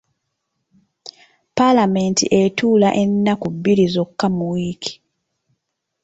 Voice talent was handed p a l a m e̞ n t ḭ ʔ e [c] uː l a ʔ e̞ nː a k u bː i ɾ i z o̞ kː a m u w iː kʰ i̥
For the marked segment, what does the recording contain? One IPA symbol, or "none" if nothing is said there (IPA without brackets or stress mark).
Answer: t